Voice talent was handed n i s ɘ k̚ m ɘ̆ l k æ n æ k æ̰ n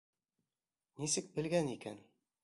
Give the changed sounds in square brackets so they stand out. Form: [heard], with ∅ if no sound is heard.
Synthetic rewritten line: n i s ɘ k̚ [b] ɘ̆ l [ɡ] æ n [i] k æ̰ n